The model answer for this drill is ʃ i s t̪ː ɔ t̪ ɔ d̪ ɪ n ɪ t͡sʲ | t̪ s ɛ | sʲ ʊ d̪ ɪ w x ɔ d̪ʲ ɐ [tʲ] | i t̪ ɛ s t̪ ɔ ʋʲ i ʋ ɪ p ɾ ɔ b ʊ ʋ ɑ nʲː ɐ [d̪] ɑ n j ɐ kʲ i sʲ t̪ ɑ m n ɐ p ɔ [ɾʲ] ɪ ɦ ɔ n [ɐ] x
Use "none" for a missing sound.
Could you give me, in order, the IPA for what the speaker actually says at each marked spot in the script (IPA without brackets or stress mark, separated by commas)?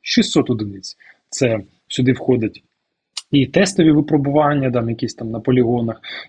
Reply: tʲ, d̪, lʲ, ɐ